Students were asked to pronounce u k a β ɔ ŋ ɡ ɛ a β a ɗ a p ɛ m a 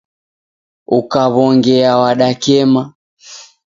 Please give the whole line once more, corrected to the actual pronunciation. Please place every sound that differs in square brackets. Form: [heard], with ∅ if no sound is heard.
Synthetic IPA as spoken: u k a β ɔ ŋ ɡ ɛ a [w] a ɗ a [k] ɛ m a